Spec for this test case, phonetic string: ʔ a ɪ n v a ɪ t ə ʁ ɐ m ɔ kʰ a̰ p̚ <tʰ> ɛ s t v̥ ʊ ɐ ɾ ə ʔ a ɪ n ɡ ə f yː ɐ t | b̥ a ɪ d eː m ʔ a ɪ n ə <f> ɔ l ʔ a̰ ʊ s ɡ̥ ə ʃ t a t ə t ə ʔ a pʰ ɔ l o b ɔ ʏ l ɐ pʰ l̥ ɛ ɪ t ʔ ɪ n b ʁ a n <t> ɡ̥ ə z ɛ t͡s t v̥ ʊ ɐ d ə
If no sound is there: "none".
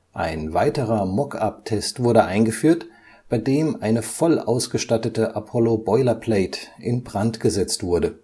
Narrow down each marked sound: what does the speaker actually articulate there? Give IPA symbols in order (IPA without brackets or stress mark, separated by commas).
tʰ, f, t